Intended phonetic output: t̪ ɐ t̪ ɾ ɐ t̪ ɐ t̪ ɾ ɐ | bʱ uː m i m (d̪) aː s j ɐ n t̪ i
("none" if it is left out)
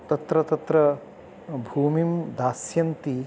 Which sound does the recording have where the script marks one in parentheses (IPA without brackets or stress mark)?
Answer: d̪